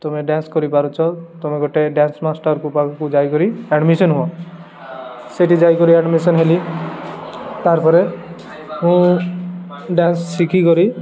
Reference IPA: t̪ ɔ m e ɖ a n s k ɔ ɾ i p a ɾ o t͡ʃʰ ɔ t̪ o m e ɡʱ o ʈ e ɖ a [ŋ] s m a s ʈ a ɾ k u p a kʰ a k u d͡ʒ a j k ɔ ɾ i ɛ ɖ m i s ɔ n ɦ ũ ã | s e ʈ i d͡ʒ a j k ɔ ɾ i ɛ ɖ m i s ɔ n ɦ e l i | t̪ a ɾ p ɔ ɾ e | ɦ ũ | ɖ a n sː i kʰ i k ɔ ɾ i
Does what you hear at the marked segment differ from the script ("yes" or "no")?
yes